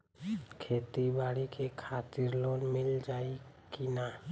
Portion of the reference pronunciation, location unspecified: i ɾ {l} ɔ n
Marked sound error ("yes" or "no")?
no